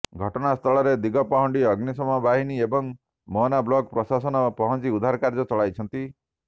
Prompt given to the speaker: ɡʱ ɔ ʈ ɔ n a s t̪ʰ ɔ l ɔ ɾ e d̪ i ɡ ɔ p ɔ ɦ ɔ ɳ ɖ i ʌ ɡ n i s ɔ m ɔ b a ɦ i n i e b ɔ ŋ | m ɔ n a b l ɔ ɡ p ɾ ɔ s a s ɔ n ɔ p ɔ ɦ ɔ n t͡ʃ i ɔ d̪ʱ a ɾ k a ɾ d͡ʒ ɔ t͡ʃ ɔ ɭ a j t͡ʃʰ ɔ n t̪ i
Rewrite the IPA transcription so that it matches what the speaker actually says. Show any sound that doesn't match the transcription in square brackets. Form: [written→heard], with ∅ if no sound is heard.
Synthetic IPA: ɡʱ ɔ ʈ ɔ n a s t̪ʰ ɔ [l→ɭ] ɔ ɾ e d̪ i ɡ ɔ p ɔ ɦ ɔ ɳ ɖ i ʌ ɡ n i s ɔ m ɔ b a ɦ i n i e b ɔ ŋ | m ɔ n a b l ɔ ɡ p ɾ ɔ s a s ɔ n ɔ p ɔ ɦ ɔ n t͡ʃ i [ɔ→u] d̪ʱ a ɾ k a ɾ d͡ʒ ɔ t͡ʃ ɔ ɭ a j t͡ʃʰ ɔ n t̪ i

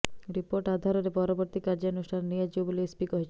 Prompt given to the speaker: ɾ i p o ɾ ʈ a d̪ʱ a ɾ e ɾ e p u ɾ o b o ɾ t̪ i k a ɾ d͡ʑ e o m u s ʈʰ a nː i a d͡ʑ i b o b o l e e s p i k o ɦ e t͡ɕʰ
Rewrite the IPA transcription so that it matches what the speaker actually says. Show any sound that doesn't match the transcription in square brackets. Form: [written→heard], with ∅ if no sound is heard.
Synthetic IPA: ɾ i p o ɾ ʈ a d̪ʱ a ɾ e ɾ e p [u→ɔ] ɾ o b o ɾ t̪ i k a ɾ d͡ʑ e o [m→n] u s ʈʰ a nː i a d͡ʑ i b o b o l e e s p i k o ɦ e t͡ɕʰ

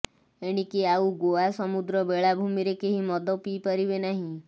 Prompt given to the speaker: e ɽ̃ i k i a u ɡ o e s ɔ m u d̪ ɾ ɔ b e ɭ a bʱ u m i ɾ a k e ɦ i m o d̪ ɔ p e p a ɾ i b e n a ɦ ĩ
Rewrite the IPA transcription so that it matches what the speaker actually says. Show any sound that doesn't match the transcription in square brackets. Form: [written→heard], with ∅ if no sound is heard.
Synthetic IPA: e ɽ̃ i k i a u ɡ o [e→a] s ɔ m u d̪ ɾ ɔ b e ɭ a bʱ u m i ɾ [a→e] k e ɦ i m [o→ɔ] d̪ ɔ p [e→i] p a ɾ i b e n a ɦ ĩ

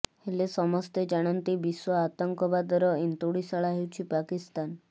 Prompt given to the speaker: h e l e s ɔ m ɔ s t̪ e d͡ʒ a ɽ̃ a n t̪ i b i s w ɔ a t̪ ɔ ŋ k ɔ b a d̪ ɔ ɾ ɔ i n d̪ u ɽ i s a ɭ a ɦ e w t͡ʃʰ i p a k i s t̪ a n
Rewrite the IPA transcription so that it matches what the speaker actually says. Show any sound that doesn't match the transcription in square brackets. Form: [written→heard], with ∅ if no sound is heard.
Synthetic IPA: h e l e s ɔ m ɔ s t̪ e d͡ʒ a ɽ̃ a n t̪ i b i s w ɔ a t̪ ɔ ŋ k ɔ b a d̪ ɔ ɾ ɔ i n [d̪→t̪] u ɽ i s a ɭ a ɦ e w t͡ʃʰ i p a k i s t̪ a n

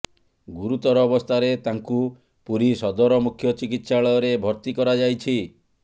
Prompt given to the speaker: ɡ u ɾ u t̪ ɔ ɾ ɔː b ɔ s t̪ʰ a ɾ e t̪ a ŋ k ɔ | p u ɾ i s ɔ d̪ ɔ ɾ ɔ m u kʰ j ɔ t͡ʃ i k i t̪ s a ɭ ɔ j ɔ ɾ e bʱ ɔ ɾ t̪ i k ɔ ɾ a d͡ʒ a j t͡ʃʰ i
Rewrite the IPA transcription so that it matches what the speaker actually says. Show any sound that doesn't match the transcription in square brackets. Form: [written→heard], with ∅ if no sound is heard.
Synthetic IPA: ɡ u ɾ u t̪ ɔ ɾ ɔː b ɔ s t̪ʰ a ɾ e t̪ a ŋ k [ɔ→u] | p u ɾ i s ɔ d̪ ɔ ɾ ɔ m u kʰ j ɔ t͡ʃ i k i t̪ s a ɭ ɔ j ɔ ɾ e bʱ ɔ ɾ t̪ i k ɔ ɾ a d͡ʒ a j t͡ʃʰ i

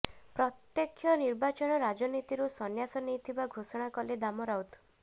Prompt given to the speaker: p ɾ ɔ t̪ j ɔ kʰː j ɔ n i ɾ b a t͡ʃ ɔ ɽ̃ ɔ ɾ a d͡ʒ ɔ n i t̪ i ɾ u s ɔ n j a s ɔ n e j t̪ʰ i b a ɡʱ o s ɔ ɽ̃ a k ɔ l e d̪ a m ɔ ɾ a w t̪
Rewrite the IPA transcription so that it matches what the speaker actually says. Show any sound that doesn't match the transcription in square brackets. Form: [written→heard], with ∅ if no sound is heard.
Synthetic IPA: p ɾ ɔ t̪ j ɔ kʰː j ɔ n i ɾ b a t͡ʃ ɔ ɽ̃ ɔ ɾ a d͡ʒ ɔ n i t̪ i ɾ u s ɔ n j a s ɔ n e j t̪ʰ i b a ɡʱ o s ɔ ɽ̃ a k ɔ l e d̪ a m ɔ ɾ a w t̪

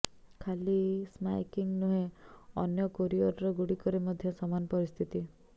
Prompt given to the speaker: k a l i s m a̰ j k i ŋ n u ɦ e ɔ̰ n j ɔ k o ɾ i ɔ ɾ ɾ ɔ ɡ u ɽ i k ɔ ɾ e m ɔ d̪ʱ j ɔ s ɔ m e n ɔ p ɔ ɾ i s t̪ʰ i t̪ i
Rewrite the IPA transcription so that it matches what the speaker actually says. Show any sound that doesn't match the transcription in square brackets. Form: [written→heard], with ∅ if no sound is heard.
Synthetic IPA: [k→kʰ] a l i s m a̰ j k i ŋ n u ɦ e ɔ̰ n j ɔ k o ɾ i ɔ ɾ ɾ ɔ ɡ u ɽ i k ɔ ɾ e m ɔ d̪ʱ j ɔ s ɔ m [e→a] n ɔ p ɔ ɾ i s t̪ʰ i t̪ i

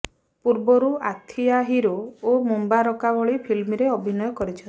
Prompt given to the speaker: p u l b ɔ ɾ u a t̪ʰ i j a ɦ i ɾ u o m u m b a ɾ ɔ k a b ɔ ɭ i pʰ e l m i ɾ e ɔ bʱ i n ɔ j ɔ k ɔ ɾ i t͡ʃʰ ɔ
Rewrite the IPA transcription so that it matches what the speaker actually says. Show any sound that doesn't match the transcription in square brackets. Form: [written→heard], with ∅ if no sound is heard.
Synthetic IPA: p u [l→ɾ] b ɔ ɾ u a t̪ʰ i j a ɦ i ɾ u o m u m b a ɾ ɔ k a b ɔ ɭ i pʰ [e→i] l m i ɾ e ɔ bʱ i n ɔ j ɔ k ɔ ɾ i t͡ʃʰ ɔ

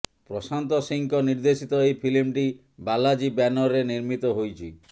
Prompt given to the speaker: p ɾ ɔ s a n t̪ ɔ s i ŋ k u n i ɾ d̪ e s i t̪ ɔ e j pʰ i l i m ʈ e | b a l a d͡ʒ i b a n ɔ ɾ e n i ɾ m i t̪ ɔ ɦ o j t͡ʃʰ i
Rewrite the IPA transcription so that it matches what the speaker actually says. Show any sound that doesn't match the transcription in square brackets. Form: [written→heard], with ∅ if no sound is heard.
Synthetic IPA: p ɾ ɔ s a n t̪ ɔ s i ŋ k [u→ɔ] n i ɾ d̪ e s i t̪ ɔ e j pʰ i l i m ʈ [e→i] | b a l a d͡ʒ i b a n ɔ ɾ e n i ɾ m i t̪ ɔ ɦ o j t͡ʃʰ i

